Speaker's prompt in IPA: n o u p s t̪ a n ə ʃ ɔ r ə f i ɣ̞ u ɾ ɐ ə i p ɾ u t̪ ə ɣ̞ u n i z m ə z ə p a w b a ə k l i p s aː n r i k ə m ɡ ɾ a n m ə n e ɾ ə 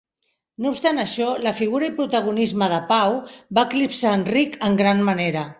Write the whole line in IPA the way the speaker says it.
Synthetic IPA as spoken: n o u p s t̪ a n ə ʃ ɔ l ə f i ɣ̞ u ɾ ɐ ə i p ɾ u t̪ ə ɣ̞ u n i z m ə ð ə p a w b a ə k l i p s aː n r i k ə ŋ ɡ ɾ a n m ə n e ɾ ə